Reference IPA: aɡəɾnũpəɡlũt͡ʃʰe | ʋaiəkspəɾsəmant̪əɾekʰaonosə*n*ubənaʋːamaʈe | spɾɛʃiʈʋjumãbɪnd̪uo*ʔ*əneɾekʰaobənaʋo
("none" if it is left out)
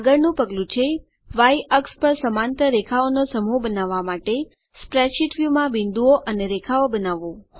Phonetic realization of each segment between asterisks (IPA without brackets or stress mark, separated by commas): m, ʔ